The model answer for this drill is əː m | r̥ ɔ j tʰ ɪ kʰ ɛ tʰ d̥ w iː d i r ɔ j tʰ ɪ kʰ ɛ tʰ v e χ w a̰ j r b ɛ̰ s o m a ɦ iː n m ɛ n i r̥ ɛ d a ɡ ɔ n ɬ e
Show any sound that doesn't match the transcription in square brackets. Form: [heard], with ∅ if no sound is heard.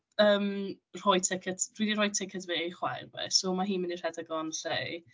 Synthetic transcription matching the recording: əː m | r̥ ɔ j tʰ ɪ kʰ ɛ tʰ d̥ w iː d i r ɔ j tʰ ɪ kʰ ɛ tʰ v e χ w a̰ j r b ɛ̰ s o m a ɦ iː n m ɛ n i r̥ ɛ d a ɡ ɔ n ɬ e